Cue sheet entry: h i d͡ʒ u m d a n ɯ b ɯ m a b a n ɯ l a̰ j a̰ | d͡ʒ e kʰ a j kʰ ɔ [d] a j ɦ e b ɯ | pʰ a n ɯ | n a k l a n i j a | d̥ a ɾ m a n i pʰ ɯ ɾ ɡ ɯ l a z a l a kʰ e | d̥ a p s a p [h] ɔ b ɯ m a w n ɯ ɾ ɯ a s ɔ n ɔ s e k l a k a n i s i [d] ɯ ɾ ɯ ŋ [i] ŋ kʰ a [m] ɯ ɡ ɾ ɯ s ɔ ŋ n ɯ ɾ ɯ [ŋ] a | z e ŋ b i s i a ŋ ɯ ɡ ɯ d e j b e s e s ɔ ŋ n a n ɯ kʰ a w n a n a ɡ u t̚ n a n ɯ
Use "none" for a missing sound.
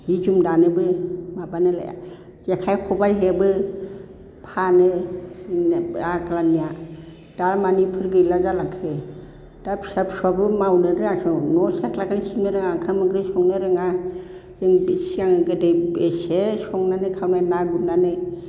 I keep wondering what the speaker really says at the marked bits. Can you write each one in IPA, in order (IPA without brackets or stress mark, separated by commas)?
b, s, n, a, m, ŋ